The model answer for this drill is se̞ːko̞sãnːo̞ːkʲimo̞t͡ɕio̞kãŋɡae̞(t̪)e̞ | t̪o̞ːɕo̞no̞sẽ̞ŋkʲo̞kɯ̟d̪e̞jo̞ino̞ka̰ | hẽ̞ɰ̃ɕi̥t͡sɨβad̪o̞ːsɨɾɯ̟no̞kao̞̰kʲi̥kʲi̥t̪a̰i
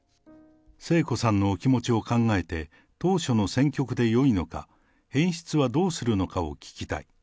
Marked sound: correct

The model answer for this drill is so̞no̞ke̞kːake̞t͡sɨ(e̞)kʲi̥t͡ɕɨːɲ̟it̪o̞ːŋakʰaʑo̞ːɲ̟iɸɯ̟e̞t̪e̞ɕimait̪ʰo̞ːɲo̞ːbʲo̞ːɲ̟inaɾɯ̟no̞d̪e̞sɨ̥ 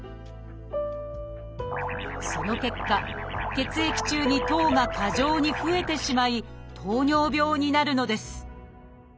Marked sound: correct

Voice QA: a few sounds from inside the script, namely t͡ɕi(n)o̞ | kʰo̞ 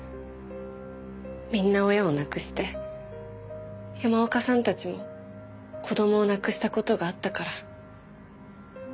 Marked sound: incorrect: m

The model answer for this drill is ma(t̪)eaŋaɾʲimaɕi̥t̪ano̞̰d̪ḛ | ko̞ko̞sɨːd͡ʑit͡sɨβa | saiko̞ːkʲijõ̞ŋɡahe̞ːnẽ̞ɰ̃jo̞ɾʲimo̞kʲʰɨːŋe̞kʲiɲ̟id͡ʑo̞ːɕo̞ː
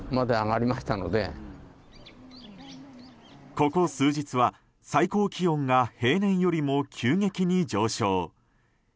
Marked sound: incorrect: d̪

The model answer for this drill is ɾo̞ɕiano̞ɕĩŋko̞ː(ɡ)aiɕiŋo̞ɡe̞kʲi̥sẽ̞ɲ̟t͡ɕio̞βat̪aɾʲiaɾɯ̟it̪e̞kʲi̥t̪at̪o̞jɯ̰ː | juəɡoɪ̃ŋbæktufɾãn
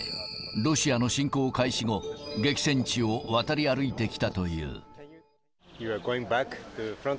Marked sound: incorrect: k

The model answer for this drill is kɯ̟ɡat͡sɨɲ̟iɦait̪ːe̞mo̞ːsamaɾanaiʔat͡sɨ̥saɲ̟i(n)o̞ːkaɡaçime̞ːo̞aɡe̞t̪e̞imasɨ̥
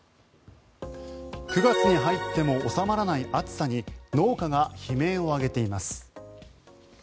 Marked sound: correct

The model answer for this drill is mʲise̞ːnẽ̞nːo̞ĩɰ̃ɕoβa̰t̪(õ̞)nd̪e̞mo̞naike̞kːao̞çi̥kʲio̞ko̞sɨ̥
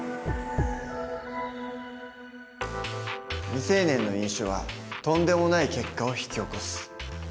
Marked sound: correct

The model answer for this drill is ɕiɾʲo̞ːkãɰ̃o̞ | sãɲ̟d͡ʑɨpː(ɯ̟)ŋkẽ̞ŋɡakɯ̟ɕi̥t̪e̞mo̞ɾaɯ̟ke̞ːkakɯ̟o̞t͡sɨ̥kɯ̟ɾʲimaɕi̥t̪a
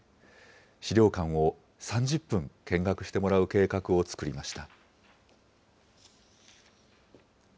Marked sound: incorrect: ɯ̟̃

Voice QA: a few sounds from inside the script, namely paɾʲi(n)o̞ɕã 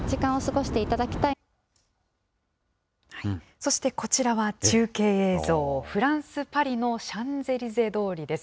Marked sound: correct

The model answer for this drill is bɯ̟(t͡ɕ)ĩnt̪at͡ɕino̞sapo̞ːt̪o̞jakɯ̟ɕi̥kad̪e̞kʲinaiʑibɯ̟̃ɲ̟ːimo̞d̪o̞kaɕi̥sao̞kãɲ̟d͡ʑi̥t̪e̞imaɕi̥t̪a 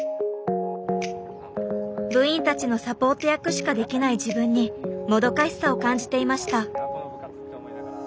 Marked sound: incorrect: none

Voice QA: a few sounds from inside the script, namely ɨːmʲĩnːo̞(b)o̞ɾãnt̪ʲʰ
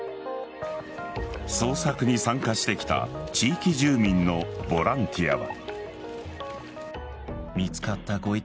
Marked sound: correct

